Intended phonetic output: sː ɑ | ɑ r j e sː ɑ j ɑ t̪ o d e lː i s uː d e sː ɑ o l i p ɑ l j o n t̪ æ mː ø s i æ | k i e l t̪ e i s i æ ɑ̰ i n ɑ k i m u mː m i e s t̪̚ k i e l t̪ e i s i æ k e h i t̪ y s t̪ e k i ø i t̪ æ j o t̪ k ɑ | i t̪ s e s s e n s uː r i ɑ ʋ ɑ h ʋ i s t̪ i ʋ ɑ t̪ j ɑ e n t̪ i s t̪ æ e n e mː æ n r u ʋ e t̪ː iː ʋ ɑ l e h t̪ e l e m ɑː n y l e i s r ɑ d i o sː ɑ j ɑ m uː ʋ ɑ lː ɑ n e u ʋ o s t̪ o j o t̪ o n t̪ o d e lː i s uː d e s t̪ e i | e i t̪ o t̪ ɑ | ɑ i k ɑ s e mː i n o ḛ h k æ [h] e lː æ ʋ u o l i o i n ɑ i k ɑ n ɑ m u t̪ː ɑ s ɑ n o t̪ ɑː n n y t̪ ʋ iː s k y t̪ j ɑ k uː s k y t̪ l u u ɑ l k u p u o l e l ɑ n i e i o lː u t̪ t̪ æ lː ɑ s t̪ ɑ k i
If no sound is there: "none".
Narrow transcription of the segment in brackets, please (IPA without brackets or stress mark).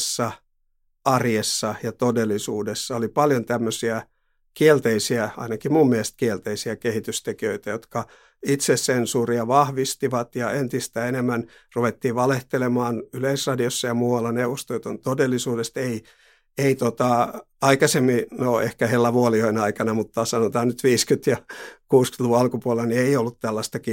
h